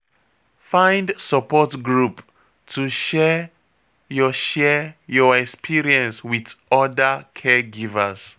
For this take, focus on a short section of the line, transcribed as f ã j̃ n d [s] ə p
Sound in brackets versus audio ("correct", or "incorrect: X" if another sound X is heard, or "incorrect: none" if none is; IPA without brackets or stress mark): correct